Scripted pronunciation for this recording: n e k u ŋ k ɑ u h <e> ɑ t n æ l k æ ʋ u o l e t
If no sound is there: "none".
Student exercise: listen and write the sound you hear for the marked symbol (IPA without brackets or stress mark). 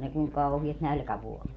i